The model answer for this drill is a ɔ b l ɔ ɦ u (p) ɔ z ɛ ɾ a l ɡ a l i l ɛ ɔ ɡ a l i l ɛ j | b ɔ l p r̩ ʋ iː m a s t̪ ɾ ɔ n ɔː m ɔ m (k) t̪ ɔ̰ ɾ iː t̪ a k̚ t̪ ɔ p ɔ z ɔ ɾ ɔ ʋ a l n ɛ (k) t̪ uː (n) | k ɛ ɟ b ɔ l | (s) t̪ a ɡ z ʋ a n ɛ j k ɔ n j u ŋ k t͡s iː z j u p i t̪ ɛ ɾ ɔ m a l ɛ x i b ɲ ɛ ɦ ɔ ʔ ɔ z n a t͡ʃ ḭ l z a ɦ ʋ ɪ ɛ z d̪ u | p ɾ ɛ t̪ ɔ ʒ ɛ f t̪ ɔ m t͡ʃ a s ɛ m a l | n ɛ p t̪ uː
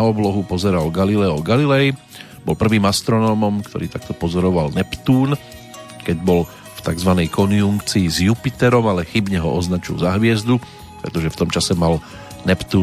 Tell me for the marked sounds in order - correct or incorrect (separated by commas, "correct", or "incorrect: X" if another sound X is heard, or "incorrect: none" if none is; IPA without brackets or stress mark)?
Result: correct, correct, incorrect: p, correct, incorrect: f